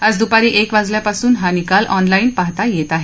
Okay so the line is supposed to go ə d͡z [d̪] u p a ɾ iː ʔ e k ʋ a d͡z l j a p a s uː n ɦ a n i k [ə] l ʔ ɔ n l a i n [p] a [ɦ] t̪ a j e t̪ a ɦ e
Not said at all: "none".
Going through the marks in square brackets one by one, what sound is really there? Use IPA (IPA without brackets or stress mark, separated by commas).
d̪, a, p, ɦ